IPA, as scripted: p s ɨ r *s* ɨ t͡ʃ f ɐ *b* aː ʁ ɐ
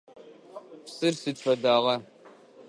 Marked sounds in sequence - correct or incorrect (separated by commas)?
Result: correct, incorrect